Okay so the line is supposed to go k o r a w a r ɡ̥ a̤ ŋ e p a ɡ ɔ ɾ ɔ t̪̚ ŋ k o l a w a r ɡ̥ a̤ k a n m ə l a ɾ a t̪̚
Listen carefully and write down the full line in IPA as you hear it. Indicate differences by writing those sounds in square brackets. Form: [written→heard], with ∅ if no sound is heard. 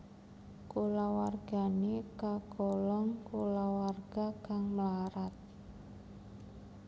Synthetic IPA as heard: k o [r→l] a w a r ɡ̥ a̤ [ŋ→n] e [p→k] a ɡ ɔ [ɾ→l] ɔ [t̪̚→∅] ŋ k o l a w a r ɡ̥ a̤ k a [n→ŋ] m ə l a ɾ a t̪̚